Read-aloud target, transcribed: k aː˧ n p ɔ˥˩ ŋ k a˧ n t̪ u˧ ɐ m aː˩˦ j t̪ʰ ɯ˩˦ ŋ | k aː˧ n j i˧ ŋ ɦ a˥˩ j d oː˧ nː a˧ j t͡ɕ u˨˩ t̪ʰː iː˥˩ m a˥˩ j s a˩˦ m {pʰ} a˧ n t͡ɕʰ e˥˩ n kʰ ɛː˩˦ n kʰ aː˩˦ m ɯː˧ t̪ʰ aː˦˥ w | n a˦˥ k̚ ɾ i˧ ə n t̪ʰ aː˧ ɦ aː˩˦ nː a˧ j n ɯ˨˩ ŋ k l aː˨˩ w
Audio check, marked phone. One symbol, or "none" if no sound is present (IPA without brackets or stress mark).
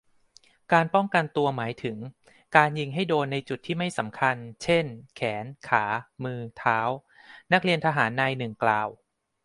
kʰ